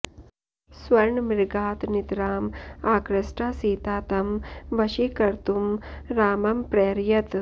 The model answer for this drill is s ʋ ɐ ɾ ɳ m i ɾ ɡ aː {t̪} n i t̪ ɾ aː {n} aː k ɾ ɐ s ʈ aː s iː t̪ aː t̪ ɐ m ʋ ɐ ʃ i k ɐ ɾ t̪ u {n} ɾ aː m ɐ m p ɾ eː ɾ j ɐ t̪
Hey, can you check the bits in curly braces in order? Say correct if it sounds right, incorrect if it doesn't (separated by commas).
correct, incorrect, incorrect